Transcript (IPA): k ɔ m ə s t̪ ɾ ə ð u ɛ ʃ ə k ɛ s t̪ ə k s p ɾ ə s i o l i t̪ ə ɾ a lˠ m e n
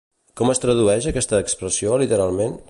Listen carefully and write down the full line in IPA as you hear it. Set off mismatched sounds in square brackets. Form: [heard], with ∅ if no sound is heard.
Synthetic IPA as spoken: k ɔ m ə s t̪ ɾ ə ð u ɛ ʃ ə k ɛ s t̪ [əː] k s p ɾ ə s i o l i t̪ ə ɾ a lˠ m e n